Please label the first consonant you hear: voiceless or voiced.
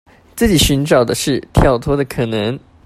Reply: voiceless